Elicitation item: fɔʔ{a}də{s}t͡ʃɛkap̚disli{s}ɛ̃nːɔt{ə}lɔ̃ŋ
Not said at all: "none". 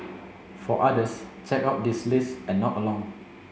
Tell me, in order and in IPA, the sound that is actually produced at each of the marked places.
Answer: a, s, s, ə

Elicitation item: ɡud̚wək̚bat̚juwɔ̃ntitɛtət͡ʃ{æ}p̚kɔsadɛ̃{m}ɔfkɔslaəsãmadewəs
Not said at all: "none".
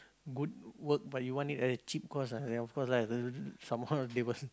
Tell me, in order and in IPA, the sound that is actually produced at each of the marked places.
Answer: i, n

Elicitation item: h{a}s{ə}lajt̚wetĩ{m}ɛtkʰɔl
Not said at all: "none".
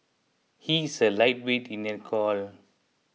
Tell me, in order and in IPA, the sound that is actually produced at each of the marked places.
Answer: i, ə, n

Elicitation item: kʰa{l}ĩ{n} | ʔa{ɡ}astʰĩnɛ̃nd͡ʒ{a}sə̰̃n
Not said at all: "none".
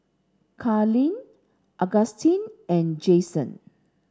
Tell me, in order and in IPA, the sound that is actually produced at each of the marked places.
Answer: l, n, ɡ, e

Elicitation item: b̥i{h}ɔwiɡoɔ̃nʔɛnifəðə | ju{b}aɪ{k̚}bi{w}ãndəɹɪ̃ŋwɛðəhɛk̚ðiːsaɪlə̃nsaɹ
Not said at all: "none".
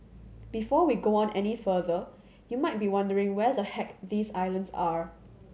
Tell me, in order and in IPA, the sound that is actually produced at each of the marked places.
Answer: f, m, t̚, w

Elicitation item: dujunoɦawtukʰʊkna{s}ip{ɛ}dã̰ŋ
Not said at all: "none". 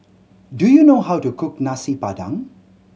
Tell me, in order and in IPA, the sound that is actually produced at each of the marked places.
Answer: s, a

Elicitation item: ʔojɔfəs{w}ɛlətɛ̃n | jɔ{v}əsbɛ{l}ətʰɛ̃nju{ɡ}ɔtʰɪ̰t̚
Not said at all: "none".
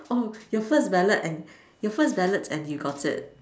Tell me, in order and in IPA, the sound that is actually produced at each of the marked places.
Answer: b, f, l, ɡ

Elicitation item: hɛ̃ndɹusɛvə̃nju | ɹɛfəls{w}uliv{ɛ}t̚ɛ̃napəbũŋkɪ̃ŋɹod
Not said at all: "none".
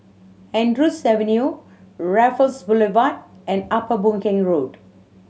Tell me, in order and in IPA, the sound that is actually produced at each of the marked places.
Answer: b, a

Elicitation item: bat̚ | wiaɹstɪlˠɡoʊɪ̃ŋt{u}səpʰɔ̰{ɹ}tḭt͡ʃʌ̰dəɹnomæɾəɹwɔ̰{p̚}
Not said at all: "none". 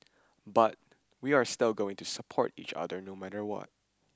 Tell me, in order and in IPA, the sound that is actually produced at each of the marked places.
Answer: u, ɹ, t̚

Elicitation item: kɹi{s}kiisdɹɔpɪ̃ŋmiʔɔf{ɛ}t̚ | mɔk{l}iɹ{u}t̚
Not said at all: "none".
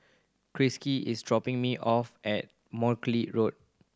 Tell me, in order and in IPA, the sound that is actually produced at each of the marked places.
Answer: s, ɛ, l, o

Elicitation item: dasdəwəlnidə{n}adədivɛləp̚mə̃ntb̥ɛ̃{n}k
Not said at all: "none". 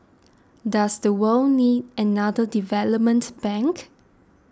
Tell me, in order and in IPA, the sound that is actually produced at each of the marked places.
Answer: n, ŋ

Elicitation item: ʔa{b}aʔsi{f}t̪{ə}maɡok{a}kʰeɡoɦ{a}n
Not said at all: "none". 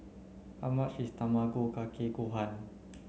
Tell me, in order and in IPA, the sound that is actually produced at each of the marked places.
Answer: m, s, a, a, a

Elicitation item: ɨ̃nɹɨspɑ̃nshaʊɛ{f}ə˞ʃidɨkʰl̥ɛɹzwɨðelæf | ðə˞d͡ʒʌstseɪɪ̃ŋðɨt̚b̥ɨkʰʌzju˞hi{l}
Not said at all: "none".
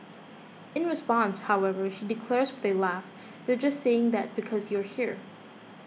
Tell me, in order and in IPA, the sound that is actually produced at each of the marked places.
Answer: v, ɹ

